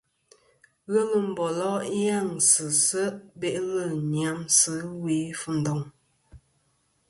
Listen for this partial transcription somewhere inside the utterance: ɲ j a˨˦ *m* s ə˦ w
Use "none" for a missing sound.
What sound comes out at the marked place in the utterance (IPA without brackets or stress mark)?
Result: m